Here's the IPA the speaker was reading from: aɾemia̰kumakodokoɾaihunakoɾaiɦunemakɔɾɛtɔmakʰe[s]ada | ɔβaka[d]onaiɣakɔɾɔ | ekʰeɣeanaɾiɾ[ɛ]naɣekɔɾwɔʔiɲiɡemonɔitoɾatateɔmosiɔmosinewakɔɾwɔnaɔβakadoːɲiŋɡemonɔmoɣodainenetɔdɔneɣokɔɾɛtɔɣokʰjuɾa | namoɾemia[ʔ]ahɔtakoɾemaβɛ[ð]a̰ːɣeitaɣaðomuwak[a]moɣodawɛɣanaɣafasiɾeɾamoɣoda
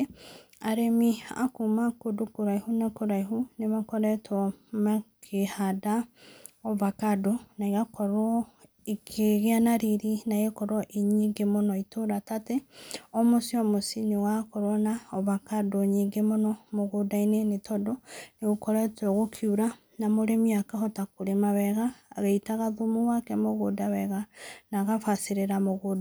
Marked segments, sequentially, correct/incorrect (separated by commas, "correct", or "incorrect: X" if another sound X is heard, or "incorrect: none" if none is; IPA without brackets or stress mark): incorrect: h, correct, incorrect: i, incorrect: k, incorrect: ɣ, incorrect: ɛ